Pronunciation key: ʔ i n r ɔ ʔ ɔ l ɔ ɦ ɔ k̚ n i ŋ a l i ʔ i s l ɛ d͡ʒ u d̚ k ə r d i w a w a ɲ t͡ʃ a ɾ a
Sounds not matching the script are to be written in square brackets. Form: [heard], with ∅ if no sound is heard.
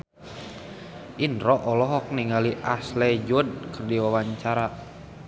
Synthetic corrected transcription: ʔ i n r ɔ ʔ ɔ l ɔ ɦ ɔ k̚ n i ŋ a l i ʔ [a] s l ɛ d͡ʒ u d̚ k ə r d i w a w a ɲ t͡ʃ a ɾ a

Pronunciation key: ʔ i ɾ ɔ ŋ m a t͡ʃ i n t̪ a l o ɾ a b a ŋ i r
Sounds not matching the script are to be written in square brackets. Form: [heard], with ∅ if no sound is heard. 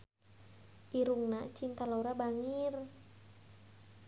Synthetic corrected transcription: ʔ i ɾ [u] ŋ [n] a t͡ʃ i n t̪ a l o ɾ a b a ŋ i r

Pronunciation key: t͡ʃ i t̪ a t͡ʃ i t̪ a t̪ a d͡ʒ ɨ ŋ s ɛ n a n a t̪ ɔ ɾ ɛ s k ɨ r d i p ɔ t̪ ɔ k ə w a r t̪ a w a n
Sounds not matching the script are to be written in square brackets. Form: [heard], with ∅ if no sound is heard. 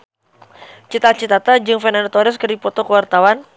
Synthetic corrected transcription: t͡ʃ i t̪ a t͡ʃ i t̪ a t̪ a d͡ʒ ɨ ŋ [f] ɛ n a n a t̪ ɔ ɾ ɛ s k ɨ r d i p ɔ t̪ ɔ k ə w a r t̪ a w a n

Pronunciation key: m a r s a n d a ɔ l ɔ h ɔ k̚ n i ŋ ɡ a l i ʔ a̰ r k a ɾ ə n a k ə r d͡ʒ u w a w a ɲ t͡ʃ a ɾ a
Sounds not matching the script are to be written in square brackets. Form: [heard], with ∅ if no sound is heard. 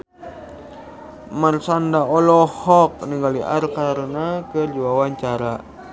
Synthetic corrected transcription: m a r s a n d a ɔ l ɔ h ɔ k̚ n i ŋ ɡ a l i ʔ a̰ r k a ɾ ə n a k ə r d͡ʒ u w a w a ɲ t͡ʃ a ɾ a

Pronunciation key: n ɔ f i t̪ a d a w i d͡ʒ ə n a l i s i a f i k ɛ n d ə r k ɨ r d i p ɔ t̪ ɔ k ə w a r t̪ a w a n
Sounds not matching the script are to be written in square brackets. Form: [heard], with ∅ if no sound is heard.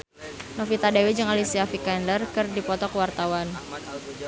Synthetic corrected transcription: n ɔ f i t̪ a d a w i d͡ʒ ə [ŋ] a l i s i a f i k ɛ n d ə r k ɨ r d i p ɔ t̪ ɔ k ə w a r t̪ a w a n

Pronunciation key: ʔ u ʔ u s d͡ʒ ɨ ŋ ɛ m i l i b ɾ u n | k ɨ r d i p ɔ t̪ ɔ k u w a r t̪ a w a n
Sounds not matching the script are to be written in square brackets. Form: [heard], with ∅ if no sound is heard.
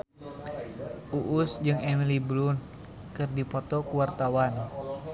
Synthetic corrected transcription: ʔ u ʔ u s d͡ʒ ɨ ŋ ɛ m i l i b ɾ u n | k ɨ r d i p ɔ t̪ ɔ k u w a r t̪ a w a n

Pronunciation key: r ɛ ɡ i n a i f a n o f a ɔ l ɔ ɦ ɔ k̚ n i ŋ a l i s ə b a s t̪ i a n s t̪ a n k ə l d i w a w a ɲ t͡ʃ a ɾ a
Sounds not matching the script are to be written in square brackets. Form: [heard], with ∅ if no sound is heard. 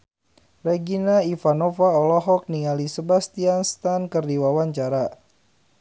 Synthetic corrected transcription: r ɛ ɡ i n a i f a n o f a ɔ l ɔ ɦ ɔ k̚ n i ŋ a l i s ə b a s t̪ i a n s t̪ a n k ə [r] d i w a w a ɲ t͡ʃ a ɾ a

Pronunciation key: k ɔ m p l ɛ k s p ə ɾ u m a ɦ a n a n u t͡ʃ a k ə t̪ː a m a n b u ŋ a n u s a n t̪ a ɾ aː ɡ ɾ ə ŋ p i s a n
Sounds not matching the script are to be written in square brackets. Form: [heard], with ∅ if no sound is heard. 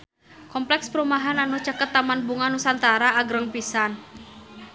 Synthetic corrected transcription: k ɔ m p l ɛ k s p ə ɾ u m a ɦ a n a n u t͡ʃ a k ə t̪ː a m a n b u ŋ a n u s a n t̪ a ɾ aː ɡ ɾ ə ŋ p i s a n

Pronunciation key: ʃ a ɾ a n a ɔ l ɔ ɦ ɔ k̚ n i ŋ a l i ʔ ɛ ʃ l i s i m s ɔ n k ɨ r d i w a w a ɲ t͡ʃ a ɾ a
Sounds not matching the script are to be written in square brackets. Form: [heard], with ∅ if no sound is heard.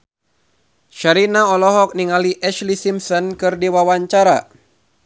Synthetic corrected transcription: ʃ a ɾ [i] n a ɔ l ɔ ɦ ɔ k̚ n i ŋ a l i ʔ ɛ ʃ l i s i m s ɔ n k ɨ r d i w a w a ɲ t͡ʃ a ɾ a

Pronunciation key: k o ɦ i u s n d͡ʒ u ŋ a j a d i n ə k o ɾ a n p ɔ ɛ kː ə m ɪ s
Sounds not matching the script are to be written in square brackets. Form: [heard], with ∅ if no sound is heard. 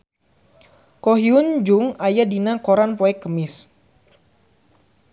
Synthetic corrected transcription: k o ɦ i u [∅] n d͡ʒ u ŋ a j a d i n [a] k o ɾ a n p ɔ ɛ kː ə m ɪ s

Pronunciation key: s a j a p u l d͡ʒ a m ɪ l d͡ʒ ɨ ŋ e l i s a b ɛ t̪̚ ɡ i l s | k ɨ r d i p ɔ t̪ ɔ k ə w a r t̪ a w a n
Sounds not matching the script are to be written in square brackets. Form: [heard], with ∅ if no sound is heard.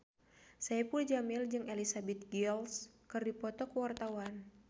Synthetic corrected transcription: s a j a p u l d͡ʒ a m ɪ l d͡ʒ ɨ ŋ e l i s a b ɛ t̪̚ ɡ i l s | k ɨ r d i p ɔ t̪ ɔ k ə w a r t̪ a w a n

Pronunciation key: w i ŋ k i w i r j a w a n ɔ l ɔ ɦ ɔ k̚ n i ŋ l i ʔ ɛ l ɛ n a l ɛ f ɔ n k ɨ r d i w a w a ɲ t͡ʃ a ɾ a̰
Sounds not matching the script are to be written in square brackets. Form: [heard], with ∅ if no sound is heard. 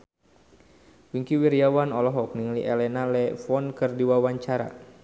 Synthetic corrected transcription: w i ŋ k i w i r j a w a n ɔ l ɔ ɦ ɔ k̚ n i ŋ l i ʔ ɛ l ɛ n a l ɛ f ɔ n k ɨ r d i w a w a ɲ t͡ʃ a ɾ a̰

